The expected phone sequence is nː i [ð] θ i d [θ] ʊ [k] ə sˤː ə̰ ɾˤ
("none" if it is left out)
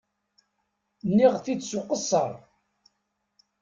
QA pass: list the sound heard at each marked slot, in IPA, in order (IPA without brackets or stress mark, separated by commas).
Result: ʁ, s, q